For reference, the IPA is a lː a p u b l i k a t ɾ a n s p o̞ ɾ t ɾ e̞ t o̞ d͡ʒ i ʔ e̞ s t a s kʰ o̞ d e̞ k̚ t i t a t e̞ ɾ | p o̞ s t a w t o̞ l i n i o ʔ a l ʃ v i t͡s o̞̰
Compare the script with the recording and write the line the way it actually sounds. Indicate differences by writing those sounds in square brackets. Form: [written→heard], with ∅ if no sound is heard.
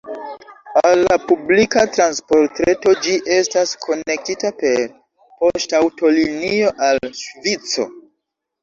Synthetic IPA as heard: a lː a p u b l i k a t ɾ a n s p o̞ ɾ t ɾ e̞ t o̞ d͡ʒ i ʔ e̞ s t a s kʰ o̞ [d→n] e̞ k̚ t i t a [t→p] e̞ ɾ | p o̞ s t a w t o̞ l i n i o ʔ a l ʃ v i t͡s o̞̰